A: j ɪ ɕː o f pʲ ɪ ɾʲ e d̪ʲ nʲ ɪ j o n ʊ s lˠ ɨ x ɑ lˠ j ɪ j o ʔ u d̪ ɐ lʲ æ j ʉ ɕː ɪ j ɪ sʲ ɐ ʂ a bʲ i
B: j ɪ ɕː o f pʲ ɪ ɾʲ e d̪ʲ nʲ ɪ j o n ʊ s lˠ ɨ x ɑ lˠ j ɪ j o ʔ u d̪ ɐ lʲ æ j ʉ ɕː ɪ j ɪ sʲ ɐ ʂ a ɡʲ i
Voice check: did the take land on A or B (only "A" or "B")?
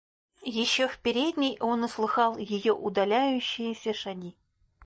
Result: B